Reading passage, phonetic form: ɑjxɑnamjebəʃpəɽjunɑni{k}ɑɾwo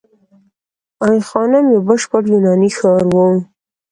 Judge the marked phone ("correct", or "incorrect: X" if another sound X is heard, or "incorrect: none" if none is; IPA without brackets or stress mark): incorrect: x